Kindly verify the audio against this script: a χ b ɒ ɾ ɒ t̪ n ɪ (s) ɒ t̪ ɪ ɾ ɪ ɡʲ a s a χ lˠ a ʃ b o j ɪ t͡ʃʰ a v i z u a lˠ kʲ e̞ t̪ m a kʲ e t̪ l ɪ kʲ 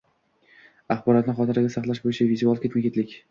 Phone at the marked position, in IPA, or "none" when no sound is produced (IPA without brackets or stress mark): χ